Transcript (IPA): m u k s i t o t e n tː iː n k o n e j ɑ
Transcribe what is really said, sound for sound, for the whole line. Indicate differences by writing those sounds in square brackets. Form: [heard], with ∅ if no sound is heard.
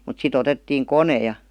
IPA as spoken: m u [t] s i t o t e [∅] tː iː [ŋ] k o n e j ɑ